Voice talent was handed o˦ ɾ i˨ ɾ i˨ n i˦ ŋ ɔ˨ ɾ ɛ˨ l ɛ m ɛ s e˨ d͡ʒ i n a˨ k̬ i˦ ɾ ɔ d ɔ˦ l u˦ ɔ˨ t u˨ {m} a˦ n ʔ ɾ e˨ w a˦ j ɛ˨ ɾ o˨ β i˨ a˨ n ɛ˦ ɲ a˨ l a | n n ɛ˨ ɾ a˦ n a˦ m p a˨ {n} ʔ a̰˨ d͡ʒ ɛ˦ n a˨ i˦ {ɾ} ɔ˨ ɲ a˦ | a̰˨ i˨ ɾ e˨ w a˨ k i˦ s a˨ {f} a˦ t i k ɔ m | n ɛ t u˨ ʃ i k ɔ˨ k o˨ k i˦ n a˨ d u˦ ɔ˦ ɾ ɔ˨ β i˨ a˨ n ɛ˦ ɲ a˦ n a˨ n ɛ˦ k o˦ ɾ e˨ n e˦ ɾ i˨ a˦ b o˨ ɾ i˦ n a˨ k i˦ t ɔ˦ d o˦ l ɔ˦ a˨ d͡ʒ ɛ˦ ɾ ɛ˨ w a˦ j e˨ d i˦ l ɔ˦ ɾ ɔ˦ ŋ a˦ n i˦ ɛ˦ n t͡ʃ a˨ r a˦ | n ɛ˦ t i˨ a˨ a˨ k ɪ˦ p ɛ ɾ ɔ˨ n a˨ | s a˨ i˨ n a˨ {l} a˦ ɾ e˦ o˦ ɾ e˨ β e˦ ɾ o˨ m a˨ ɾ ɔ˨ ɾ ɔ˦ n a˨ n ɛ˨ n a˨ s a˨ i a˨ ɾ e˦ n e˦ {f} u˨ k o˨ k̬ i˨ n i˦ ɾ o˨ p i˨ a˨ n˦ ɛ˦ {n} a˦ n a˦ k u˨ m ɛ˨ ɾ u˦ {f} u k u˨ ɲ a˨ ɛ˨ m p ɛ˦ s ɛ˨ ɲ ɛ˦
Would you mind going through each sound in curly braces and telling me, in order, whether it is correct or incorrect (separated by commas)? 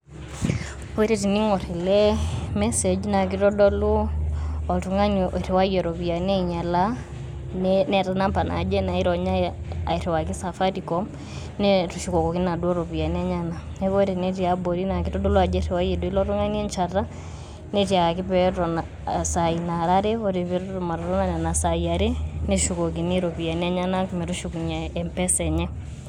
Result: incorrect, correct, correct, correct, incorrect, incorrect, incorrect, incorrect